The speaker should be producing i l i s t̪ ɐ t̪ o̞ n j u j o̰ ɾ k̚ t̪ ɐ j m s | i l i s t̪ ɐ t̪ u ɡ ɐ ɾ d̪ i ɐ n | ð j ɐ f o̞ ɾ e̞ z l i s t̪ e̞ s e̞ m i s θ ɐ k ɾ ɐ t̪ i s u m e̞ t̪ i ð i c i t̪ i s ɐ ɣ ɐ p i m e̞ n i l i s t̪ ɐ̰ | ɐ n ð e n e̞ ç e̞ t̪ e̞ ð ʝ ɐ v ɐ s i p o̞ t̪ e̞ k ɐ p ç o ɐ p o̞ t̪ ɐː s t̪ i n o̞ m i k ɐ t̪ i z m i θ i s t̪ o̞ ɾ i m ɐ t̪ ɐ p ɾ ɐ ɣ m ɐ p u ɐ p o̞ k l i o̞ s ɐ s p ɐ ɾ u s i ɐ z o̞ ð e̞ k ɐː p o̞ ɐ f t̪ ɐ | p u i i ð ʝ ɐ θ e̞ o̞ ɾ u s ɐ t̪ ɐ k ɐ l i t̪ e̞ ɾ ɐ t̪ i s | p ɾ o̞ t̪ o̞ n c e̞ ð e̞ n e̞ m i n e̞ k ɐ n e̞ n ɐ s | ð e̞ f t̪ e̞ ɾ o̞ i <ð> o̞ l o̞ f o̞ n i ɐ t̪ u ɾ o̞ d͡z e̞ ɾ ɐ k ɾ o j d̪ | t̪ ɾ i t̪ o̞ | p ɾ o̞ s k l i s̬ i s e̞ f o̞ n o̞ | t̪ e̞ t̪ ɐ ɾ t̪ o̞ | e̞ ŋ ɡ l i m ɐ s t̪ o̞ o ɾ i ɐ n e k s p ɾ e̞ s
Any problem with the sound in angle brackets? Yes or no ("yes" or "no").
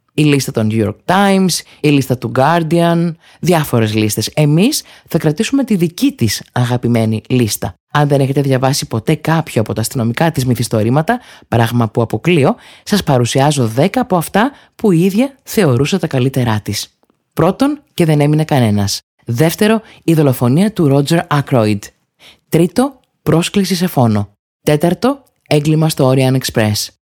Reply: no